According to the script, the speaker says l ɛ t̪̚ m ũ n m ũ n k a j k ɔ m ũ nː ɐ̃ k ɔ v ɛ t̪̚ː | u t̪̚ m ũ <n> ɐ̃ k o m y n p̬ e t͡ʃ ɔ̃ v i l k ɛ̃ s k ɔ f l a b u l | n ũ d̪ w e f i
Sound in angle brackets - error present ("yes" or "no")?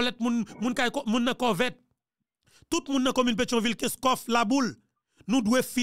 yes